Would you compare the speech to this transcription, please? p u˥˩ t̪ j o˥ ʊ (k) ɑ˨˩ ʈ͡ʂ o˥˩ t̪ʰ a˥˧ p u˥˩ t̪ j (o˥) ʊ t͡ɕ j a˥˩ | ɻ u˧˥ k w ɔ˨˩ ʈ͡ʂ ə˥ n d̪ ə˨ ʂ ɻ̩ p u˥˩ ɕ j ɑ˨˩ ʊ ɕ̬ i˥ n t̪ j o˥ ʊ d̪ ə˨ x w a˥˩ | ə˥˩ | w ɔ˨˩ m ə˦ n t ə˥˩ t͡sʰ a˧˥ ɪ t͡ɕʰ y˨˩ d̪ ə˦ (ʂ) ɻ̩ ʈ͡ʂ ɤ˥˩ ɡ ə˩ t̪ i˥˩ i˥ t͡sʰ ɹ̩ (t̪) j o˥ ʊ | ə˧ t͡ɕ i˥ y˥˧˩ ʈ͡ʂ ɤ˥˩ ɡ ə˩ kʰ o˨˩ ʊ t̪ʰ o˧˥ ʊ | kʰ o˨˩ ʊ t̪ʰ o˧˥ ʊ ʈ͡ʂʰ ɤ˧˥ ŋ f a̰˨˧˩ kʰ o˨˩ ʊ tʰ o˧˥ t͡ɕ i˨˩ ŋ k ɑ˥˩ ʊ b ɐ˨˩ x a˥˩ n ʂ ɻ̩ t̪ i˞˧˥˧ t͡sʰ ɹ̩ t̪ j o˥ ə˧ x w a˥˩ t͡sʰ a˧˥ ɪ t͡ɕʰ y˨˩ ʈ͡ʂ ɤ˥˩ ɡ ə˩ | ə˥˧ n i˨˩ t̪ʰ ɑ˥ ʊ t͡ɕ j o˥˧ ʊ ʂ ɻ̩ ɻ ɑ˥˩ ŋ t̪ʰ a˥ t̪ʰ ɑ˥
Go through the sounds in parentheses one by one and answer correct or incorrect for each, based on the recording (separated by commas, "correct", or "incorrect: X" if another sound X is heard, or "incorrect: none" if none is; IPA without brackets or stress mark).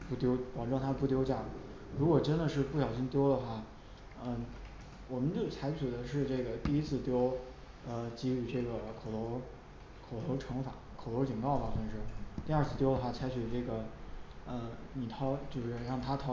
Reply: incorrect: p, correct, correct, correct